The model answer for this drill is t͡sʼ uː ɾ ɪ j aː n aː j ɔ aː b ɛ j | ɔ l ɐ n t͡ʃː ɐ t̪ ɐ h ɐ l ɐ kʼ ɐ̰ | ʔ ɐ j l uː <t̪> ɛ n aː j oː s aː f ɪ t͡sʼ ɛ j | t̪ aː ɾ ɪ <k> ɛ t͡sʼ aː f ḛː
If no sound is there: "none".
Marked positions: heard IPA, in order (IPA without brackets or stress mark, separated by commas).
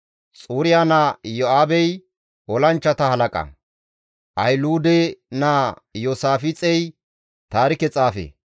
d̪, k